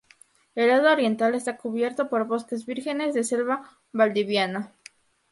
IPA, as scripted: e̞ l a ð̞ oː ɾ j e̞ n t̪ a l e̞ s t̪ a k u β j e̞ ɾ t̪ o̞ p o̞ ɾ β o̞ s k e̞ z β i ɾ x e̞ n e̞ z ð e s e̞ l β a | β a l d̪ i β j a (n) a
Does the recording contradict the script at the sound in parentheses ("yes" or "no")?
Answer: no